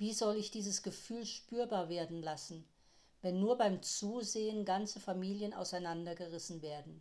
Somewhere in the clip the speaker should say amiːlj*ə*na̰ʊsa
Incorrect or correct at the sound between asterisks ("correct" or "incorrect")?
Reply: correct